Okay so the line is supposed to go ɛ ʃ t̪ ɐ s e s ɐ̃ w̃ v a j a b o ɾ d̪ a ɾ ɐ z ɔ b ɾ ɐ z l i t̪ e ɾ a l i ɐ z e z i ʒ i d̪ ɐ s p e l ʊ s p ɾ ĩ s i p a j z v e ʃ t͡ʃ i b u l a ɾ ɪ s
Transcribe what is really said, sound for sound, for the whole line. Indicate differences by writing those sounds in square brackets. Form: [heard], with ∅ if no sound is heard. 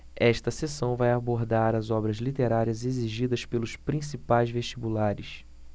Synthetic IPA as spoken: ɛ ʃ t̪ ɐ s e s ɐ̃ w̃ v a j a b o ɾ d̪ a ɾ ɐ z ɔ b ɾ ɐ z l i t̪ e ɾ a [ɾ] i ɐ z e z i ʒ i d̪ ɐ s p e l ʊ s p ɾ ĩ s i p a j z v e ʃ t͡ʃ i b u l a ɾ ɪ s

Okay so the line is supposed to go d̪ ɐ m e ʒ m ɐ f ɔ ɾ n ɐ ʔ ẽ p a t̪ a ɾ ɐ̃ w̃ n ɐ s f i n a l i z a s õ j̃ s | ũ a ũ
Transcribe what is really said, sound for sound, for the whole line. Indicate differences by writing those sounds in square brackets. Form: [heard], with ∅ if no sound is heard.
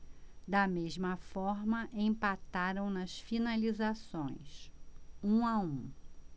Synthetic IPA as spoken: d̪ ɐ m e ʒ m ɐ f ɔ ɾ [m] ɐ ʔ ẽ p a t̪ a ɾ ɐ̃ w̃ n ɐ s f i n a l i z a s õ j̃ s | ũ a ũ

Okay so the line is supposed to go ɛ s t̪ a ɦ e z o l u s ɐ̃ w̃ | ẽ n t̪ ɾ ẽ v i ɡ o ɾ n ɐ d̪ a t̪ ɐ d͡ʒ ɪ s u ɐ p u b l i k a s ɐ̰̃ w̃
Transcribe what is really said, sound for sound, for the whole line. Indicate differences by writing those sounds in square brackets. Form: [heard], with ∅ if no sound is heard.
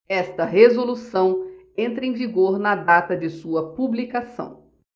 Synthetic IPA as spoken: ɛ s t̪ [ɐ] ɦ e z o l u s ɐ̃ w̃ | ẽ n t̪ ɾ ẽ v i ɡ o ɾ n ɐ d̪ a t̪ ɐ d͡ʒ ɪ s u ɐ p u b l i k a s ɐ̰̃ w̃

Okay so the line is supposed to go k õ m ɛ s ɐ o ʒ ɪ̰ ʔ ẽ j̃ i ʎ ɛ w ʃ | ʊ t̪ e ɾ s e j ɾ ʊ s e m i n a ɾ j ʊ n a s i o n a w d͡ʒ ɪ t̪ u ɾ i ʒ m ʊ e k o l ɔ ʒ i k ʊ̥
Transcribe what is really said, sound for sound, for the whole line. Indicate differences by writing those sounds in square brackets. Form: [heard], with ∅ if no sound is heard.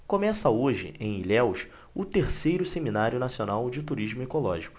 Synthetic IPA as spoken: k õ m ɛ s ɐ o ʒ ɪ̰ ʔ ẽ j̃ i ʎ ɛ w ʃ | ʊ t̪ e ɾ s e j ɾ ʊ s e m i n a ɾ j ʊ n a s i o n a w d͡ʒ ɪ t̪ u ɾ i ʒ m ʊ e k o l ɔ ʒ i k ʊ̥

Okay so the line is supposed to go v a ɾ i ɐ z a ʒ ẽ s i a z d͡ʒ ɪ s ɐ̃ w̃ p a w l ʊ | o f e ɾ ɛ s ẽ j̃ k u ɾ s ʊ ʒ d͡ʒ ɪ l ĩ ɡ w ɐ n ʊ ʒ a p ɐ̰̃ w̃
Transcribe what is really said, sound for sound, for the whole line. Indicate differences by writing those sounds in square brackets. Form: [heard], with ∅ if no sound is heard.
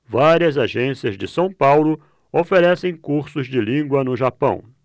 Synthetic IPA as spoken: v a ɾ i ɐ z a ʒ ẽ s i [ɐ] z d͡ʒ ɪ s ɐ̃ w̃ p a w l ʊ | o f e ɾ ɛ s ẽ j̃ k u ɾ s ʊ [z] d͡ʒ ɪ l ĩ ɡ w ɐ n ʊ ʒ a p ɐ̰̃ w̃

